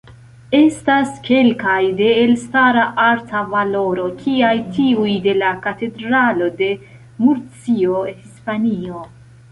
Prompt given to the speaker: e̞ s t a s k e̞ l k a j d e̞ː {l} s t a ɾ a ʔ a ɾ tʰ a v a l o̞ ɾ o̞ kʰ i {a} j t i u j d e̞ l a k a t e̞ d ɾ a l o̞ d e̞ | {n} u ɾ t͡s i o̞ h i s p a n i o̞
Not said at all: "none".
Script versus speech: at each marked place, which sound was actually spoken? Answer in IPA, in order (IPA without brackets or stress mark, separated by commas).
l, a, m